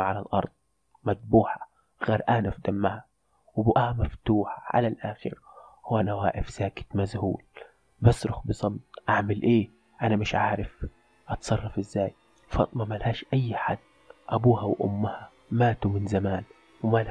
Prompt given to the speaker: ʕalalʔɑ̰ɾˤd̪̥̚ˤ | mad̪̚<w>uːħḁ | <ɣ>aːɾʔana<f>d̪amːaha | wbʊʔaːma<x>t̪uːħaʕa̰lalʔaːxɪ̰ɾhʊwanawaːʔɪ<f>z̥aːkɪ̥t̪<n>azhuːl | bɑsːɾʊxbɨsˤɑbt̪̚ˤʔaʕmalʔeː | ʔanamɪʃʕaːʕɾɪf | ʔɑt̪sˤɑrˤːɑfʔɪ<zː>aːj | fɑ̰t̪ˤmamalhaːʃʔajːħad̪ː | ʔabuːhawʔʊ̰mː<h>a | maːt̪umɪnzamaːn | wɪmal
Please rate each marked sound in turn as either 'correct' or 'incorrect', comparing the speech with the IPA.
incorrect: b, correct, correct, incorrect: f, correct, incorrect: m, correct, correct

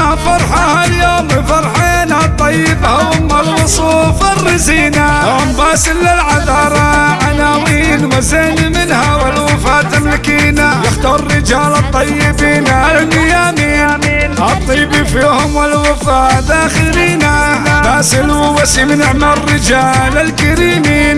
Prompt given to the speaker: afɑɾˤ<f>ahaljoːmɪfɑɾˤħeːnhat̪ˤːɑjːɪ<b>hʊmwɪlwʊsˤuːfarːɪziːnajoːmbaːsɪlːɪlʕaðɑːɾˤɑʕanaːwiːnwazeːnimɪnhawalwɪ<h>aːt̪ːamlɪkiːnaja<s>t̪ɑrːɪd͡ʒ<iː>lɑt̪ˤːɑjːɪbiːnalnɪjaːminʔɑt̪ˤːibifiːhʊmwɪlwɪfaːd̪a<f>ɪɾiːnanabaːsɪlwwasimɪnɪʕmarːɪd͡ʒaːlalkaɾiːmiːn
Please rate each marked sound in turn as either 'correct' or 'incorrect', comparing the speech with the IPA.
incorrect: ħ, correct, incorrect: f, incorrect: x, incorrect: aː, incorrect: x

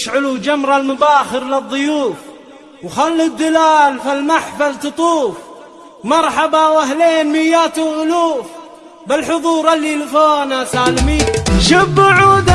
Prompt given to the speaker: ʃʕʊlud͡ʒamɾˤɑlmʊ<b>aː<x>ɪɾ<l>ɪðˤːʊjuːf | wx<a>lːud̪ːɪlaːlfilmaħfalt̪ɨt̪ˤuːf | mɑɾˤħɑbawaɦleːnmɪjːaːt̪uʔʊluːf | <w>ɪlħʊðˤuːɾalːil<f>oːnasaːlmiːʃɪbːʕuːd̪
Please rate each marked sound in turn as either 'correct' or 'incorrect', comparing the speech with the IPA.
correct, correct, correct, correct, incorrect: b, correct

